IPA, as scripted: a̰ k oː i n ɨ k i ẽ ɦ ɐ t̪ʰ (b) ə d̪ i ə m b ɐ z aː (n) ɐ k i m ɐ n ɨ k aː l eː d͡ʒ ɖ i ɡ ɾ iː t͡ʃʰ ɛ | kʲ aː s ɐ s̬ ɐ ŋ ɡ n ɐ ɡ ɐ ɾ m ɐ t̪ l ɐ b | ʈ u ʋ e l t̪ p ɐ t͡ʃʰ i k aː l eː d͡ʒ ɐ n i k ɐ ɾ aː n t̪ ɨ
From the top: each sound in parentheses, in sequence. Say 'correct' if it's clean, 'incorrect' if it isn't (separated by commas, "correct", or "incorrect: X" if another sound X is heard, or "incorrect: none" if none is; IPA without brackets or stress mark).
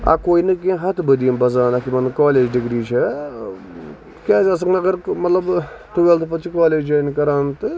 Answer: correct, correct